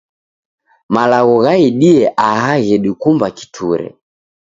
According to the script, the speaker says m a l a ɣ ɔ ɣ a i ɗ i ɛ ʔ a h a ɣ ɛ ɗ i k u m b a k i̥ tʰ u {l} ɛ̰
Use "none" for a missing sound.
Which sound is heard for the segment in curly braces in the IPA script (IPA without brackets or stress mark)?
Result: ɾ